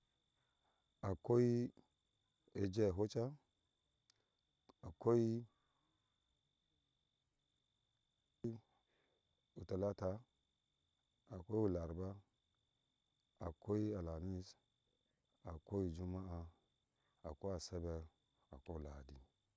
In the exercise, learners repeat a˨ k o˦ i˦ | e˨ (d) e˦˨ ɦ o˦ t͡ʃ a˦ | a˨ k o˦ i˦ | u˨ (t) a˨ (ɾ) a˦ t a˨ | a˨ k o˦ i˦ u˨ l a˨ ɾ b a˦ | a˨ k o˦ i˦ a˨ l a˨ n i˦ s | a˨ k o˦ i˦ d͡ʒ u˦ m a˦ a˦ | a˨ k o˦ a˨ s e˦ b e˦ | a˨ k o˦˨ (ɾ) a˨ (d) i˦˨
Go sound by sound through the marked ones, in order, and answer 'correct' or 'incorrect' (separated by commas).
incorrect, correct, incorrect, incorrect, correct